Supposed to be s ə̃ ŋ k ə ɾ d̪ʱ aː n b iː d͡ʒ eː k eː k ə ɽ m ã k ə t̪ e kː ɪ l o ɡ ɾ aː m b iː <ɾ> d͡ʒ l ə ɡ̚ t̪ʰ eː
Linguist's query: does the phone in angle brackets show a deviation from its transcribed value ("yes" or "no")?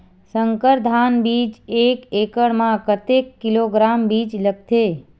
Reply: yes